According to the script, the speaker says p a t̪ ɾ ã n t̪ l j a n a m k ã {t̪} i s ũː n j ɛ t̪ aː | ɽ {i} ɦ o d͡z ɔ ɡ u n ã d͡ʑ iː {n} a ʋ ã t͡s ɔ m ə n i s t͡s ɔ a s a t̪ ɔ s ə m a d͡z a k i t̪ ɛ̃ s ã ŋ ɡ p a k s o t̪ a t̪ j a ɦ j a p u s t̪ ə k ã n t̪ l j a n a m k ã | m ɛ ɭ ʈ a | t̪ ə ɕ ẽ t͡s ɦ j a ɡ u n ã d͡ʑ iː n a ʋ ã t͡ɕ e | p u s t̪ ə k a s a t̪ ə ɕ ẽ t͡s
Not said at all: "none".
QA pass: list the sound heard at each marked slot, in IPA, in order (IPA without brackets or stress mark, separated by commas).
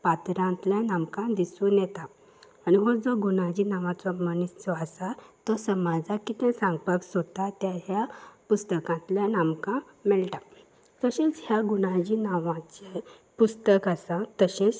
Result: d̪, i, n